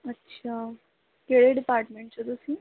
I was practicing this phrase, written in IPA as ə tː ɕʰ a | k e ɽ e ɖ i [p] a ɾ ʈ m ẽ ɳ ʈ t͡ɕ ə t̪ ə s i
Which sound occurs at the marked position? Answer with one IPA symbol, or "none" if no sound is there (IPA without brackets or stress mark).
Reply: p